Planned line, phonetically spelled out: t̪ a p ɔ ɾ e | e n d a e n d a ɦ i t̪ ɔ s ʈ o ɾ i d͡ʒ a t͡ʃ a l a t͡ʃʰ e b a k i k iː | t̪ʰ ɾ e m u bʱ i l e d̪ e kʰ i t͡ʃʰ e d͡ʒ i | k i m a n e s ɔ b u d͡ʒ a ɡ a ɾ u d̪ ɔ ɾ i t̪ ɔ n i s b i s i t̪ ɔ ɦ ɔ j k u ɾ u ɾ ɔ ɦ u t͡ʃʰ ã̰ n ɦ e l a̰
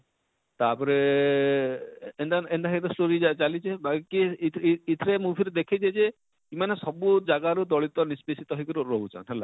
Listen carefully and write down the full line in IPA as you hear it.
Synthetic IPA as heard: t̪ a p ɔ ɾ e | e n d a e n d a ɦ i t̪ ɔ s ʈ o ɾ i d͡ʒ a t͡ʃ a l i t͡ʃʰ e b a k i k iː | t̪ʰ ɾ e m u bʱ i ɾ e d̪ e kʰ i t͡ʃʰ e d͡ʒ e | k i m a n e s ɔ b u d͡ʒ a ɡ a ɾ u d̪ ɔ ɭ i t̪ ɔ n i s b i s i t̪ ɔ ɦ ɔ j k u ɾ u ɾ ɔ ɦ u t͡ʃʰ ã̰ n ɦ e l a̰